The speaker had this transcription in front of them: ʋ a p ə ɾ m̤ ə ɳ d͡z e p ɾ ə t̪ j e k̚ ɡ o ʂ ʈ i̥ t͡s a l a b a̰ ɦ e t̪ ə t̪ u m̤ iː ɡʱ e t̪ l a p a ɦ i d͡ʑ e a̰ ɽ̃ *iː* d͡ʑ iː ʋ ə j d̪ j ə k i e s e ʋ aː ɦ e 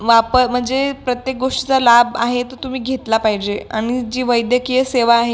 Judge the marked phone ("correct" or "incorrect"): incorrect